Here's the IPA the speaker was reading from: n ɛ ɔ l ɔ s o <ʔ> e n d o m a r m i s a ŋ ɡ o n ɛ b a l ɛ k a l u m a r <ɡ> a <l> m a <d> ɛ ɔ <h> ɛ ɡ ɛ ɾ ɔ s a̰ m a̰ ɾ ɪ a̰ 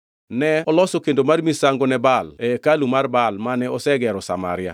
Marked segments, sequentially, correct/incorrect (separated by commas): incorrect, incorrect, correct, incorrect, incorrect